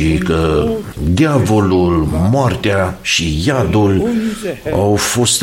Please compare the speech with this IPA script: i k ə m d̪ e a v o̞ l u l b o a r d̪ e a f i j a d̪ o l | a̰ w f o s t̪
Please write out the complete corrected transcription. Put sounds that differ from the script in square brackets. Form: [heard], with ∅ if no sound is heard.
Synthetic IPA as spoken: i k ə [∅] d̪ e a v o̞ l u l [m] o a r [t̪] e a [ʃ] i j a d̪ [u] l | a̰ w f o s t̪